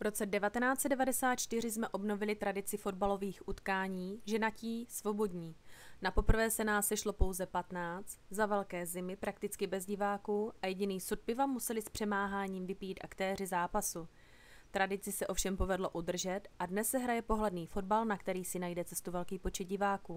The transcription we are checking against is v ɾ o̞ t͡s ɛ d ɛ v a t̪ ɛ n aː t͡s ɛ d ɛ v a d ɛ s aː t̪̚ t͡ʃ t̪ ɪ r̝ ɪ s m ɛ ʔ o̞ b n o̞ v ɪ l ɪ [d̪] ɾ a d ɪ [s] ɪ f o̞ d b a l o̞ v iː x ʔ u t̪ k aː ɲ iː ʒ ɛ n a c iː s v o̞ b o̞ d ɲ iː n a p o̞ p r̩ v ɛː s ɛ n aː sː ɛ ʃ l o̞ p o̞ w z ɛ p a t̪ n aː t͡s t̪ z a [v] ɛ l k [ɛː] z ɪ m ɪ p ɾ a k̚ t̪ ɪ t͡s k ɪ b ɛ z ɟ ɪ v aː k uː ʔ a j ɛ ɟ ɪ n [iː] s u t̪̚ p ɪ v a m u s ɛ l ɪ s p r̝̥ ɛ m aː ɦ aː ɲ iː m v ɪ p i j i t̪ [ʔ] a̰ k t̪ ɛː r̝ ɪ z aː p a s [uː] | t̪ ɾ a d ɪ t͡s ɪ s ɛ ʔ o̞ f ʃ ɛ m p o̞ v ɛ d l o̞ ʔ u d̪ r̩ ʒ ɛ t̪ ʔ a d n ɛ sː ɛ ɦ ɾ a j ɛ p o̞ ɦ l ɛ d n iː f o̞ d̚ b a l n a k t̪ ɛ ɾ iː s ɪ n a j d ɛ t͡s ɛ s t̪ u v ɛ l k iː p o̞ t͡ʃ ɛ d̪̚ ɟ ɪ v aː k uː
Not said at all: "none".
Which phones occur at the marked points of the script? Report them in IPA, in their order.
t̪, t͡s, v, ɛː, iː, ʔ, u

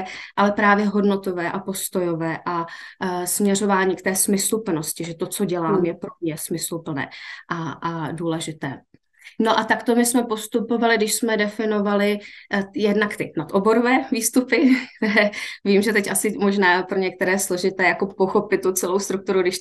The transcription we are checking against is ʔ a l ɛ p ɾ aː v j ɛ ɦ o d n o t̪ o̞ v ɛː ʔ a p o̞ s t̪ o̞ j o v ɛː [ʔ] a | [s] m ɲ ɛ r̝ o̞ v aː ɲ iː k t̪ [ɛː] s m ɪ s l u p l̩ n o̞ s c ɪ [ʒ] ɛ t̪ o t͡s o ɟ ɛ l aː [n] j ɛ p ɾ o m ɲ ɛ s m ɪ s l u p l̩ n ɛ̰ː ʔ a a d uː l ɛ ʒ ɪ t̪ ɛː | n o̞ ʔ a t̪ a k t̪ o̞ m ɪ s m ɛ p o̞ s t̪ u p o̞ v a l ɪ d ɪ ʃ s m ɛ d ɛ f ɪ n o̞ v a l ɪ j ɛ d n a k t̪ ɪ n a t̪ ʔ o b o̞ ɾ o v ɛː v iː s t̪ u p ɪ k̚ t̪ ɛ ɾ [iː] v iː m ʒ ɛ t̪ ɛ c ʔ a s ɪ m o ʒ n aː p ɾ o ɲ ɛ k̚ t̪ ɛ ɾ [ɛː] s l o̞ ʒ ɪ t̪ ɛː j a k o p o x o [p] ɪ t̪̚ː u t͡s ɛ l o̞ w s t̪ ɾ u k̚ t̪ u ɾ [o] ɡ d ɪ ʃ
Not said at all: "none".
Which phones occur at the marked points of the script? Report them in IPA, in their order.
ʔ, s, ɛː, ʒ, m, ɛː, ɛː, p, u

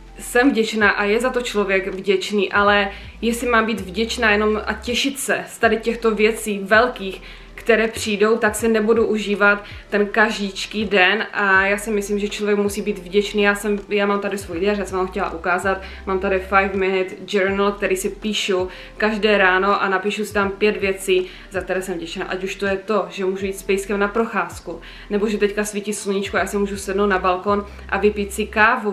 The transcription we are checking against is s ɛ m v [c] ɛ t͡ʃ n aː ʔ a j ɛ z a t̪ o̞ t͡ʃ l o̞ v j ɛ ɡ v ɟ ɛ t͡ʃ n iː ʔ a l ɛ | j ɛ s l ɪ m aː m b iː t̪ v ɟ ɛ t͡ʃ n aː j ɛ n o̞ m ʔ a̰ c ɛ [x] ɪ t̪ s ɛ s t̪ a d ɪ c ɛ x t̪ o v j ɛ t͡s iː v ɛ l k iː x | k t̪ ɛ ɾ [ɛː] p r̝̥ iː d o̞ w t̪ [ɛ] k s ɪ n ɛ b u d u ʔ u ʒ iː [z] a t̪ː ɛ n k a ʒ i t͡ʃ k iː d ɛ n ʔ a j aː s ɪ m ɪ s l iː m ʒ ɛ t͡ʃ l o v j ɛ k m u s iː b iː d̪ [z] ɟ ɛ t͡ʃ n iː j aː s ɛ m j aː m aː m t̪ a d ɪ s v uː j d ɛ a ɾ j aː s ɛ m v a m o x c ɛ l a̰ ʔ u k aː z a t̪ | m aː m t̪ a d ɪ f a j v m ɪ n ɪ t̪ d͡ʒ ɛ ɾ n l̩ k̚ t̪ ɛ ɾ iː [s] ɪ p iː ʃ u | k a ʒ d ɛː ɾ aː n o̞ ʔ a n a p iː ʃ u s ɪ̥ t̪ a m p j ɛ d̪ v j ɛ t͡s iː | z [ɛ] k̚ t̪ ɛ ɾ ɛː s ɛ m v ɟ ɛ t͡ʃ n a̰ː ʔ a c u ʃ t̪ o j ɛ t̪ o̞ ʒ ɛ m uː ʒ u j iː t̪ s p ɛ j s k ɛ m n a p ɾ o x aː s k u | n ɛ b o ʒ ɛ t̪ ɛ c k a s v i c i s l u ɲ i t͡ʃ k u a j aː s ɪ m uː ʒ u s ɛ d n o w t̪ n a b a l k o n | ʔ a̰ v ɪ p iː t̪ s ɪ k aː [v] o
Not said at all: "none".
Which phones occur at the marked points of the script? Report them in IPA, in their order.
ɟ, ʃ, ɛː, a, v, v, s, a, v

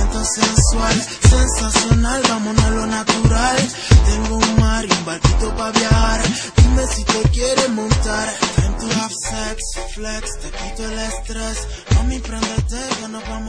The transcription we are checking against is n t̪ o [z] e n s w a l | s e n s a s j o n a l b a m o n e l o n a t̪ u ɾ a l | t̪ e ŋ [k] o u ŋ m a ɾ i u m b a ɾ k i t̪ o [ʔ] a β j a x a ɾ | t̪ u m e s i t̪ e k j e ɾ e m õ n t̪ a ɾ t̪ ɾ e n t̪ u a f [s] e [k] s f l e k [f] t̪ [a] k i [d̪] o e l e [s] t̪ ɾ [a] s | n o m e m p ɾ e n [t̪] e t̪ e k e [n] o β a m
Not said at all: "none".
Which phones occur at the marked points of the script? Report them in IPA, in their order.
s, ɡ, p, s, k, s, e, t̪, s, e, d̪, n

